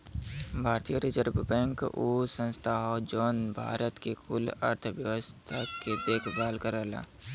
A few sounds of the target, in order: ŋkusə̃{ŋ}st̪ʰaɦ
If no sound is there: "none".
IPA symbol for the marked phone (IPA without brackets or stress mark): n